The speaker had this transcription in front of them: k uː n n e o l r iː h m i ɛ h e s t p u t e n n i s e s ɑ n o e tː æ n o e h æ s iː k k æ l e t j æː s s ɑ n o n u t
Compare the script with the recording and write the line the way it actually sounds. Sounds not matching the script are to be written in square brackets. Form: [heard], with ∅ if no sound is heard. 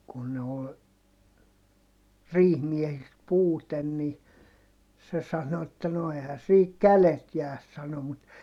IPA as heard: k [u] n n e o l r iː h m i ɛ h [i] s t p [uː] t e n n i s e s ɑ n o e tː æ n o e h æ s iː k k æ l e t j æː s s ɑ n o [m] u t